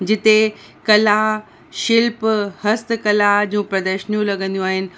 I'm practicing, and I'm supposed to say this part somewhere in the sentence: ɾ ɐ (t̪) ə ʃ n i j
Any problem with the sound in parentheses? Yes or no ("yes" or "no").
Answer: yes